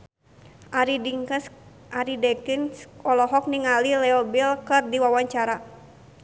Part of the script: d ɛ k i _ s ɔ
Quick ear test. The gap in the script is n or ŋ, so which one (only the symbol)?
n